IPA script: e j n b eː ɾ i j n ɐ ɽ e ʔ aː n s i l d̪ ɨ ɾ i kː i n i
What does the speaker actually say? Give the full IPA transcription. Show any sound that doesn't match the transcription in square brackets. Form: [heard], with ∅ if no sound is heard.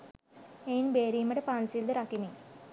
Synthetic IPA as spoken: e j n b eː ɾ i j [m] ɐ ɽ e [p] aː n s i l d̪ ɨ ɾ [a] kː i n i